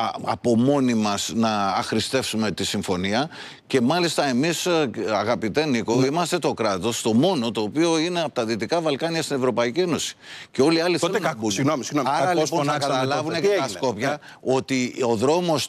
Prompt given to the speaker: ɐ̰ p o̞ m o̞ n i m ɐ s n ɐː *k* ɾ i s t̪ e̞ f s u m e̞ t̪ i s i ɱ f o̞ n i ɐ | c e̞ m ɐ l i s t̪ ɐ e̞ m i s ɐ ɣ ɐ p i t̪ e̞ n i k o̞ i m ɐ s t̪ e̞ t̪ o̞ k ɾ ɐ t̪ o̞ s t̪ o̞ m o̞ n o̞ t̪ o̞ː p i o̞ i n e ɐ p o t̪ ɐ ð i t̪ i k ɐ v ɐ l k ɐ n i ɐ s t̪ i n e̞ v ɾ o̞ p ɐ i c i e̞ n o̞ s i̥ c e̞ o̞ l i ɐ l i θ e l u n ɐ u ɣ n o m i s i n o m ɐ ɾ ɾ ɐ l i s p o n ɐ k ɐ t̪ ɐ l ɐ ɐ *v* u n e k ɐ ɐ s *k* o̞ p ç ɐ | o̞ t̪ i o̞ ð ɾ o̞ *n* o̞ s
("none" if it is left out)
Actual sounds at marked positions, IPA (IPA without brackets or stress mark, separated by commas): x, v, k, m